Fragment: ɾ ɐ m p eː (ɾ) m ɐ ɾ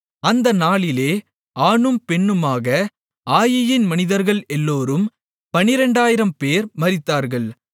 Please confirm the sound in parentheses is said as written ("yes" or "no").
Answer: yes